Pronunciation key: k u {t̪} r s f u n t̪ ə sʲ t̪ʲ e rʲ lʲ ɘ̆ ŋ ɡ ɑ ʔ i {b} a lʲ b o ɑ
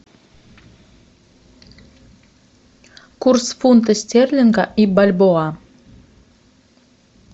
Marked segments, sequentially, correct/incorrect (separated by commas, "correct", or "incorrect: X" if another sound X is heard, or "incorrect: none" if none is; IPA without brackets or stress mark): incorrect: none, correct